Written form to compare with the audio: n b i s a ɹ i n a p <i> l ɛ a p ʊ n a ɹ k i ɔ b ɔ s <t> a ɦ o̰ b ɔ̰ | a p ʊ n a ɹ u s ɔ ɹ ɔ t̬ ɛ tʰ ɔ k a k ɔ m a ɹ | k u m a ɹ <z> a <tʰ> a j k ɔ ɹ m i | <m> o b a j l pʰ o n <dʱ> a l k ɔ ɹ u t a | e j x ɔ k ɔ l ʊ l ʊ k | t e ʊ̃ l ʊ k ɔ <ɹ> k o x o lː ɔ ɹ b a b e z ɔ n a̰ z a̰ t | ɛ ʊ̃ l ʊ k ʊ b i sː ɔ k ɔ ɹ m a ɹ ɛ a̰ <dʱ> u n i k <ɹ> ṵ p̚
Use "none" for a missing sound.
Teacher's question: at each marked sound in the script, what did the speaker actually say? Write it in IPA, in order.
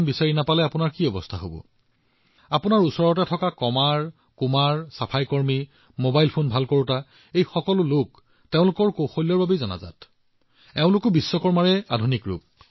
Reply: a, tʰ, s, pʰ, m, bʱ, ɹ, dʱ, ɹ

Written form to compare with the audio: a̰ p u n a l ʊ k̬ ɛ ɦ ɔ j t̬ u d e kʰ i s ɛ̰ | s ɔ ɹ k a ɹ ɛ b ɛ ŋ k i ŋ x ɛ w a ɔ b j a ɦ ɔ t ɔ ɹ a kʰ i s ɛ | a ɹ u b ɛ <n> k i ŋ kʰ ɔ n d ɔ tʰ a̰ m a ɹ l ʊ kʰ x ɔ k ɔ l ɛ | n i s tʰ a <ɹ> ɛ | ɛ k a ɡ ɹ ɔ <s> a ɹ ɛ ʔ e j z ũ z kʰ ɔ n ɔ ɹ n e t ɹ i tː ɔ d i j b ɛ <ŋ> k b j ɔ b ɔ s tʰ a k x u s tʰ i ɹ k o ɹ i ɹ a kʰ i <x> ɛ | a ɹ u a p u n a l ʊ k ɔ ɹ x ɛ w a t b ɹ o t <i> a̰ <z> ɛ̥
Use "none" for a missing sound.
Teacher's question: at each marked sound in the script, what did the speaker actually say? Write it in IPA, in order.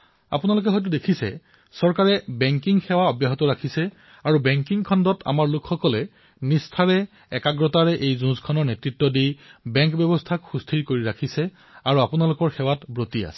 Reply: ŋ, ɹ, t, ŋ, s, i, s

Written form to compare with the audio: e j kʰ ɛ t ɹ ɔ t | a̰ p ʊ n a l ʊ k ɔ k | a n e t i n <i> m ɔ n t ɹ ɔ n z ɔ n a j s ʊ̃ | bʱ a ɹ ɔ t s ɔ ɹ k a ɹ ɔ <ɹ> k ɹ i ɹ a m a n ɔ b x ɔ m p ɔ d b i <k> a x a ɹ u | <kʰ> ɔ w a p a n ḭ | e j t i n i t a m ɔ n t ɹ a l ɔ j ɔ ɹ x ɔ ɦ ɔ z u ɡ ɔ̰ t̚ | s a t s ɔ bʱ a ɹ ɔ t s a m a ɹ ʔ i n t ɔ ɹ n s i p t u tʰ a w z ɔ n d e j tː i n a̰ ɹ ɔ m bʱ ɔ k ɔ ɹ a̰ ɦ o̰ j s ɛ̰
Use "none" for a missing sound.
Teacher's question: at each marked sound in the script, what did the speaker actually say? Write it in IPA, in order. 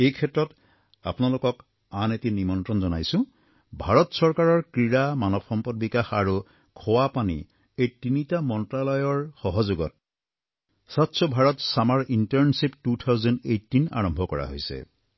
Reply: i, ɹ, k, kʰ

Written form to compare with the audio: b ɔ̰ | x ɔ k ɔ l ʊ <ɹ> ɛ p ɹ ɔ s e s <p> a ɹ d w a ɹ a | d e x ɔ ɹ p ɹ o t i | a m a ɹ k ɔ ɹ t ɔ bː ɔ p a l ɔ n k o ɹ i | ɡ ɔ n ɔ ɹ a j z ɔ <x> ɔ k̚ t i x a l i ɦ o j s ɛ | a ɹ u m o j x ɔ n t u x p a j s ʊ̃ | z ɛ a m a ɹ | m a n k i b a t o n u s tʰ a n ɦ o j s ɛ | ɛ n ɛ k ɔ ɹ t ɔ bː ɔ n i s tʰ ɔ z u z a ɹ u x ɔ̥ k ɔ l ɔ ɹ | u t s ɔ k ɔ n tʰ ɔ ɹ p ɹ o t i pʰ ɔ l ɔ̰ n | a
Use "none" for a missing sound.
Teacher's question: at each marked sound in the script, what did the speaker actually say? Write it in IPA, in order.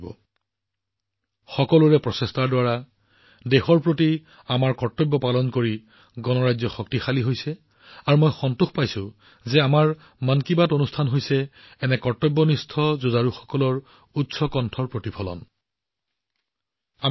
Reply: ɹ, t, x

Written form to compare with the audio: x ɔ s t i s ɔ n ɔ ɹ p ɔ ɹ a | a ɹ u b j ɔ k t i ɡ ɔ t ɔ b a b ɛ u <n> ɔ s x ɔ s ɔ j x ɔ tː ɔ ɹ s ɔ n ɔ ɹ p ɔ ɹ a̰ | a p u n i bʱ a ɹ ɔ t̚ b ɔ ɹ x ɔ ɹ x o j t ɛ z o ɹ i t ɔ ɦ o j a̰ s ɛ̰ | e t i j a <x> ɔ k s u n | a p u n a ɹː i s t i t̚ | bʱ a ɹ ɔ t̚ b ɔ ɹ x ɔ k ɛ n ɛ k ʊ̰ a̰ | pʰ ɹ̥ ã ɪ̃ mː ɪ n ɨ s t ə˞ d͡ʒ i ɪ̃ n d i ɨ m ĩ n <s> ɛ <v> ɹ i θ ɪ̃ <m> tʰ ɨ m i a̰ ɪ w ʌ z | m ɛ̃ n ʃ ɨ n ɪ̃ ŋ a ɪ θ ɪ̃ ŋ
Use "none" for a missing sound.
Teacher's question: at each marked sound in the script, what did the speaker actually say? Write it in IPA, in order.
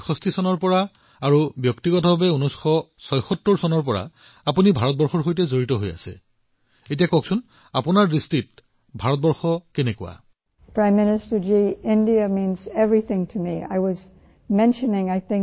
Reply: n, k, z, v, ŋ

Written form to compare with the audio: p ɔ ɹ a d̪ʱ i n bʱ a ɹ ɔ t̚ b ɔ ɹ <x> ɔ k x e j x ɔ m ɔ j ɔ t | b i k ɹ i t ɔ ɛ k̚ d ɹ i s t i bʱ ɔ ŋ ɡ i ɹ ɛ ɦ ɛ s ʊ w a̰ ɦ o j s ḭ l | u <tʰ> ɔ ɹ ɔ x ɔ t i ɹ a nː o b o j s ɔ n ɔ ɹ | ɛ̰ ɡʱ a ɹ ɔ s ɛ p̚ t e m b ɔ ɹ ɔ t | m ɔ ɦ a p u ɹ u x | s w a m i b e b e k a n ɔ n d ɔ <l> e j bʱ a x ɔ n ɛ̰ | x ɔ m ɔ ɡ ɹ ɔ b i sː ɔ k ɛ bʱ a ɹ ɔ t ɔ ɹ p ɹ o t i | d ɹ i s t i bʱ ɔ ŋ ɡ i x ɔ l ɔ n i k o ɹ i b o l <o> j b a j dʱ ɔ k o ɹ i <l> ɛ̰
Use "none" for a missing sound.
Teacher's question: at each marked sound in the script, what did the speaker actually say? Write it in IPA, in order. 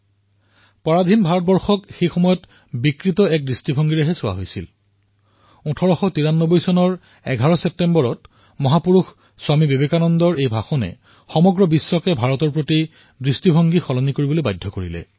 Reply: x, tʰ, ɹ, o, l

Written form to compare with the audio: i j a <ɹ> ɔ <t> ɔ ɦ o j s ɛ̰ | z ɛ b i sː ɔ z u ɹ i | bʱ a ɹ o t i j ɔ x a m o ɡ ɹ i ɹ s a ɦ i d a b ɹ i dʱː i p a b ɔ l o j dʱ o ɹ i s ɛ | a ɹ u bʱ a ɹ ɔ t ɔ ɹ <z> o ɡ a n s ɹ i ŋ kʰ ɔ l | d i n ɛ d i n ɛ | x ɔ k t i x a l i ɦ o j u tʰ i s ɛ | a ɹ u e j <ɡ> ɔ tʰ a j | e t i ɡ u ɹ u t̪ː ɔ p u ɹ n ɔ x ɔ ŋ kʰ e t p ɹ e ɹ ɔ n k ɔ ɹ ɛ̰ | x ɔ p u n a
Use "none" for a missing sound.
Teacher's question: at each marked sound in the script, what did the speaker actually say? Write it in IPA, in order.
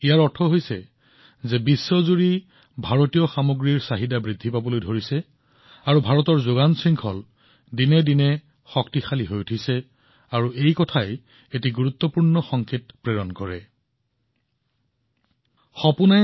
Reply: ɹ, tʰ, z, k

